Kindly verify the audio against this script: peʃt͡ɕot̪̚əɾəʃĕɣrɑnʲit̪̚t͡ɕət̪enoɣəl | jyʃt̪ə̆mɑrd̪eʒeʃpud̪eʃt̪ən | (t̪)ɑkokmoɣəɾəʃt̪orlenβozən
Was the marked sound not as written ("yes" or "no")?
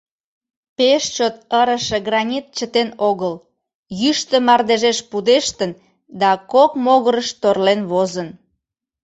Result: yes